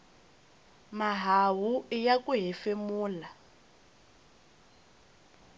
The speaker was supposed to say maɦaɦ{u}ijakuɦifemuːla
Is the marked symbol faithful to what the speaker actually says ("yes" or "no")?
yes